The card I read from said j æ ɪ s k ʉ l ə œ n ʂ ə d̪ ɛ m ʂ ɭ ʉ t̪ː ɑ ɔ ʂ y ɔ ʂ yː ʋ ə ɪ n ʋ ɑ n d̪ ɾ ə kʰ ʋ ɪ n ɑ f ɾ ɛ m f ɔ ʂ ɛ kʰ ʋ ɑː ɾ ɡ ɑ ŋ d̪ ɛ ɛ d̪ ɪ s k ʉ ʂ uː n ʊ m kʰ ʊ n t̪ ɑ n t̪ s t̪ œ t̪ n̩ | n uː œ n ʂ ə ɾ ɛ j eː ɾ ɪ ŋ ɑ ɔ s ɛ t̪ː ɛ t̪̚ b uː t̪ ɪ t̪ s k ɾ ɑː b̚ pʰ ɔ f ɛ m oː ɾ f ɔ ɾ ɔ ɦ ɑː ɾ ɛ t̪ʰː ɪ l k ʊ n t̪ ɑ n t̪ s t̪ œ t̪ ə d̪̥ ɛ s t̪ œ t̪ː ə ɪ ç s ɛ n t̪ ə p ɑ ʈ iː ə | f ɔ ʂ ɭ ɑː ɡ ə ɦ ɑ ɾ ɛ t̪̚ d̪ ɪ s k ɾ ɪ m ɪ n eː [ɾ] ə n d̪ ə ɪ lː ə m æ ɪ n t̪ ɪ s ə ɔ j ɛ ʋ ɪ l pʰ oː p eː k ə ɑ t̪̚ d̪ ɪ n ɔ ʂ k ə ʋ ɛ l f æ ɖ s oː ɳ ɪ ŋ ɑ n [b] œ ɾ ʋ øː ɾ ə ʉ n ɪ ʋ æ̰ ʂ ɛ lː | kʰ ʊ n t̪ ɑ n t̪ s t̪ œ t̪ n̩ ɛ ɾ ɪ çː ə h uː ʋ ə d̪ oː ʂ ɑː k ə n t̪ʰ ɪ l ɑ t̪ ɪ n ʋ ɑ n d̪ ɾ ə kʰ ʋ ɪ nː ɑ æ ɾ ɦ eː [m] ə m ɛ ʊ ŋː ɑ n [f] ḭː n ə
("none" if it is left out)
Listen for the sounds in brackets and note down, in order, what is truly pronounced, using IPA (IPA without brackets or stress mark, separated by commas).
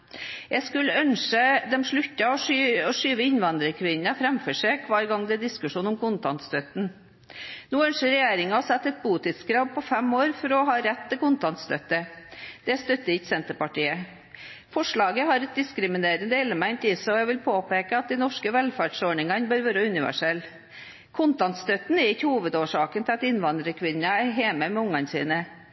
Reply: ɾ, b, m, s